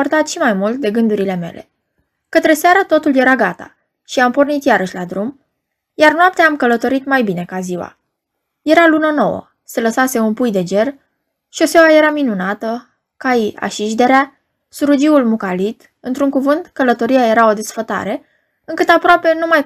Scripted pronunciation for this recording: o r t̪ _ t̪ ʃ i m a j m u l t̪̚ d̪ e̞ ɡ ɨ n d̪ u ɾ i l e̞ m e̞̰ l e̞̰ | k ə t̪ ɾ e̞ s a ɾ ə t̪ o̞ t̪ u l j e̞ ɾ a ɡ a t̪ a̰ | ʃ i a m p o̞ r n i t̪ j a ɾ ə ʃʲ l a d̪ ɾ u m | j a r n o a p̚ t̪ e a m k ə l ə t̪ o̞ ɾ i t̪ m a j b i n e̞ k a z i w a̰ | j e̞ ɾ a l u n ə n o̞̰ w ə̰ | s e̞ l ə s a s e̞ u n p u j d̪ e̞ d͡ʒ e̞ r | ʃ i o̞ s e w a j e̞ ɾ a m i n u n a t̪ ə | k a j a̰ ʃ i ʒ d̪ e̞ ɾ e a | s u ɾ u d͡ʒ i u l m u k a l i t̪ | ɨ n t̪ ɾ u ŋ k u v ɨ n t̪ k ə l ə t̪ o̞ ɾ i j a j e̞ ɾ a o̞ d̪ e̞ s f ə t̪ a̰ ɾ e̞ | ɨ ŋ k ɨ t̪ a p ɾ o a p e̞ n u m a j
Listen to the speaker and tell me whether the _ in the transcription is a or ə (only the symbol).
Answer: a